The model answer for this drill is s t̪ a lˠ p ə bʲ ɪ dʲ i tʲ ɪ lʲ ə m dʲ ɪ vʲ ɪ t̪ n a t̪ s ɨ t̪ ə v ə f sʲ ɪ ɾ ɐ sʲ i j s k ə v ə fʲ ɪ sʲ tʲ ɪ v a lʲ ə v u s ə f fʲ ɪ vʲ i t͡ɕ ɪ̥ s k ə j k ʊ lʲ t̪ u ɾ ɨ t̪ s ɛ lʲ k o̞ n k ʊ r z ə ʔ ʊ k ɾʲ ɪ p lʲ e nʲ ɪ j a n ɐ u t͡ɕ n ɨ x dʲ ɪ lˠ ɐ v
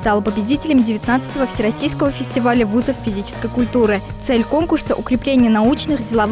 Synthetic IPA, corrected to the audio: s t̪ a lˠ p ə bʲ ɪ dʲ i tʲ ɪ lʲ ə m dʲ ɪ vʲ ɪ t̪ n a t̪ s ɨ t̪ ə v ə f sʲ ɪ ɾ ɐ sʲ i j s k ə v ə fʲ ɪ sʲ tʲ ɪ v a lʲ ə v u z ə f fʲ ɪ zʲ i t͡ɕ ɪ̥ s k ə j k ʊ lʲ t̪ u ɾ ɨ t̪ s ɛ lʲ k o̞ n k ʊ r s ə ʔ ʊ k ɾʲ ɪ p lʲ e nʲ ɪ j ə n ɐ u t͡ɕ n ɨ x dʲ ɪ lˠ ɐ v